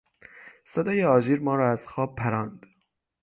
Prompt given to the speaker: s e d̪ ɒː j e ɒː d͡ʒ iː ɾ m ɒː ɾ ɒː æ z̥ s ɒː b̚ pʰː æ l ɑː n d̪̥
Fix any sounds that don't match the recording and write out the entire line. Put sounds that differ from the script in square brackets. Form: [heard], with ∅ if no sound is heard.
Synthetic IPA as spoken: s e d̪ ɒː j e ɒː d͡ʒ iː ɾ m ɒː ɾ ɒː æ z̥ [x] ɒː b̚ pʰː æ [ɾ] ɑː n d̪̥